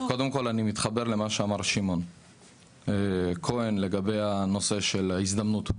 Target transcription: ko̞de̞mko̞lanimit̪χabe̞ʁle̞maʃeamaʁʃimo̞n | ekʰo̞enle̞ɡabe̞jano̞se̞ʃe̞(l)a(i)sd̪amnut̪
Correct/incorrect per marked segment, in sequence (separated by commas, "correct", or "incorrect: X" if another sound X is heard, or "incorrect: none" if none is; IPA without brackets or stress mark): correct, correct